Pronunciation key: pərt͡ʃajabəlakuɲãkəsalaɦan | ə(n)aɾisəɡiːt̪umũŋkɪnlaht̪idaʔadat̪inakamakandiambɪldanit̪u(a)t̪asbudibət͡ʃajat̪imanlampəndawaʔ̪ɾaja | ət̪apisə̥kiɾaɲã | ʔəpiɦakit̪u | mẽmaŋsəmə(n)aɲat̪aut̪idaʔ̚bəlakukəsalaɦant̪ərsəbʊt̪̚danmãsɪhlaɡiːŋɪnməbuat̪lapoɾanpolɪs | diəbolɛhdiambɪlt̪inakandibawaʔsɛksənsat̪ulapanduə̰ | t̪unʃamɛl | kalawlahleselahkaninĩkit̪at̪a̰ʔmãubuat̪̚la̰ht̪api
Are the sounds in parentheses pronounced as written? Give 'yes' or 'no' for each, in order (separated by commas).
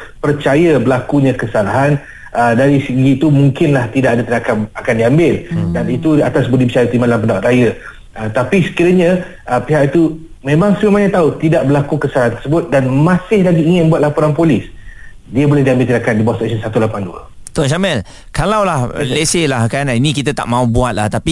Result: no, yes, no